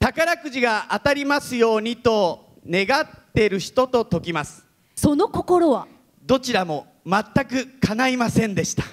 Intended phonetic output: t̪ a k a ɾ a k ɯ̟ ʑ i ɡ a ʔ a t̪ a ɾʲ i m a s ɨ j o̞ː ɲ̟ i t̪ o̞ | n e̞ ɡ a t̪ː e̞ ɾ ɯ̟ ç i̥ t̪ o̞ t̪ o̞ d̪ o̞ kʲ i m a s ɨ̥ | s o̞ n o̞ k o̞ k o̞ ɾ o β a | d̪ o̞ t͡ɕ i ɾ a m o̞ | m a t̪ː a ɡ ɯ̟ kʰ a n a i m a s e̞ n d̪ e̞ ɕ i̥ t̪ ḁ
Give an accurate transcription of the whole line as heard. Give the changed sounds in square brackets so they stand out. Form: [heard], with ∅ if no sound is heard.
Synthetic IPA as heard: t̪ a k a ɾ a k ɯ̟ ʑ i ɡ a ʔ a t̪ a ɾʲ i m a s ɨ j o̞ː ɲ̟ i t̪ o̞ | n e̞ ɡ a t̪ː e̞ ɾ ɯ̟ ç i̥ t̪ o̞ t̪ o̞ [t̪] o̞ kʲ i m a s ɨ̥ | s o̞ n o̞ k o̞ k o̞ ɾ o β a | d̪ o̞ t͡ɕ i ɾ a m o̞ | m a t̪ː a [k] ɯ̟ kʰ a n a i m a s [ẽ̞] n d̪ e̞ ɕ i̥ t̪ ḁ